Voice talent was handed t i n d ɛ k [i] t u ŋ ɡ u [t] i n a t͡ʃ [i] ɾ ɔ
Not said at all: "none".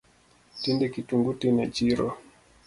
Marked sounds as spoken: i, t, i

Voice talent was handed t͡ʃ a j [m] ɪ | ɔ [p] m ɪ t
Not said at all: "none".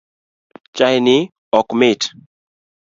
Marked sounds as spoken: n, k

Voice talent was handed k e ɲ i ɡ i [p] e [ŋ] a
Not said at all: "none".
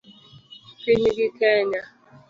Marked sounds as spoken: k, ɲ

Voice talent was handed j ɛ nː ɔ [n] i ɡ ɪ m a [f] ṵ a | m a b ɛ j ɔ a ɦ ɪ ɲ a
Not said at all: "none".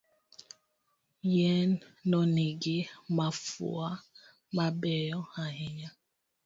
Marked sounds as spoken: n, f

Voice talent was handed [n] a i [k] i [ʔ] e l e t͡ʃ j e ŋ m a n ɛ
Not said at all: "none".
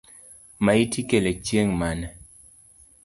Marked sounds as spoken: m, t, k

